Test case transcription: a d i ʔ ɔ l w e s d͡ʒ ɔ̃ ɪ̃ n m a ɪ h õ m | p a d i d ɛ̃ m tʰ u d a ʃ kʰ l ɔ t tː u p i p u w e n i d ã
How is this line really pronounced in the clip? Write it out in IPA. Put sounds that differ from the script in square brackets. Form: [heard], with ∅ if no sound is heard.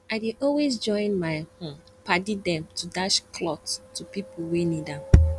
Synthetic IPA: a d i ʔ ɔ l w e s d͡ʒ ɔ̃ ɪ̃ n m a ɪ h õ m | p a d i d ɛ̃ m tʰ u d a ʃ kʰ l ɔ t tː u p i p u w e n i d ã